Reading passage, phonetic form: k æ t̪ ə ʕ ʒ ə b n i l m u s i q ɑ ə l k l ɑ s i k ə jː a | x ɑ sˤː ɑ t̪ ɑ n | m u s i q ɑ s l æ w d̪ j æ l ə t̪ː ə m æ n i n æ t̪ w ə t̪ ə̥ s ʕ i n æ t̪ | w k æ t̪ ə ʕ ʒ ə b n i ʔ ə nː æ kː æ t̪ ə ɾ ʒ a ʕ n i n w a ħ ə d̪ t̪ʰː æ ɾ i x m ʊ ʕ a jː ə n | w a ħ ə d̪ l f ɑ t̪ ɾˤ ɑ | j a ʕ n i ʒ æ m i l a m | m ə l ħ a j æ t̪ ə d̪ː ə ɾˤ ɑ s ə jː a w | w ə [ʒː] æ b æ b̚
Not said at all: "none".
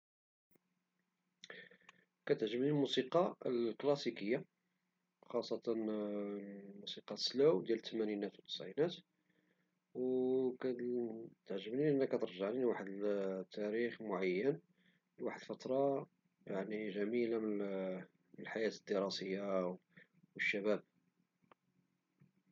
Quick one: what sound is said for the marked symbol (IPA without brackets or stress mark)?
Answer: ʃː